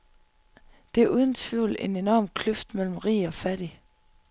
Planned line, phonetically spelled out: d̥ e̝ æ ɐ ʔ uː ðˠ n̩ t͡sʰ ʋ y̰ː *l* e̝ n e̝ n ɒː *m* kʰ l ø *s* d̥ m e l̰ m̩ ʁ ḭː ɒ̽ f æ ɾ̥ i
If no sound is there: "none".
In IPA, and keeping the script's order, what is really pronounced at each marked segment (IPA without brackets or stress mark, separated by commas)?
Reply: l, m, f